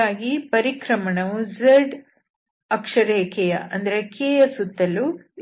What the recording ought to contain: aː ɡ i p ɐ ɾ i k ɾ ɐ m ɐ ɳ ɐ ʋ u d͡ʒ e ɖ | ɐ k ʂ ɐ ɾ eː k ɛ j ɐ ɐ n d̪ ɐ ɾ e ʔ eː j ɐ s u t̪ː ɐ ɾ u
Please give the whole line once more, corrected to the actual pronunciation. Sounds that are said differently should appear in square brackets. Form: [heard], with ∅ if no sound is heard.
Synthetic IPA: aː ɡ i p ɐ ɾ i k ɾ ɐ m ɐ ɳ ɐ ʋ u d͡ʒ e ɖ | ɐ k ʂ ɐ ɾ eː k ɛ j ɐ ɐ n d̪ ɐ ɾ e [k] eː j ɐ s u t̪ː ɐ [l] u